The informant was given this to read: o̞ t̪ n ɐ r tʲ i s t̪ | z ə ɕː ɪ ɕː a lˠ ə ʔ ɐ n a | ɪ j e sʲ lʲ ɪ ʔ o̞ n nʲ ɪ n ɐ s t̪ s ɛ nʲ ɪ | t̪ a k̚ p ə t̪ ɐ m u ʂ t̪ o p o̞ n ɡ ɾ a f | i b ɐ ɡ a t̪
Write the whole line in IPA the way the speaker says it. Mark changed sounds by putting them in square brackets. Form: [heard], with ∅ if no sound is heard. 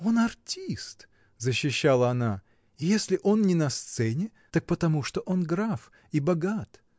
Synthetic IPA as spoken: o̞ [∅] n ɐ r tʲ i s t̪ | z ə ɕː ɪ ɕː a lˠ ə [∅] ɐ n a | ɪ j e sʲ lʲ ɪ ʔ o̞ n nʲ ɪ n ɐ s t̪ s ɛ nʲ ɪ | t̪ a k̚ p ə t̪ ɐ m u ʂ t̪ o [ʔ] o̞ n ɡ ɾ a f | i b ɐ ɡ a t̪